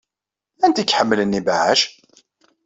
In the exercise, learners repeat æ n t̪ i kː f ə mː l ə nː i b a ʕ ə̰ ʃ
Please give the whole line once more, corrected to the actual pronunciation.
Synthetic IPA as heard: æ n t̪ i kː ħ ə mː l ə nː i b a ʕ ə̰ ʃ